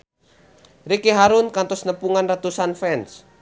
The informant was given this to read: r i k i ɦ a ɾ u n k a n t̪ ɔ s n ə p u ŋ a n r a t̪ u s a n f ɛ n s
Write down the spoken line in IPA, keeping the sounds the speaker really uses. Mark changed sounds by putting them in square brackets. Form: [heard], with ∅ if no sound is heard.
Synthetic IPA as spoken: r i k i ɦ a ɾ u n k a n t̪ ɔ s n ə p u ŋ a n r a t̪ u s a n f ɛ n s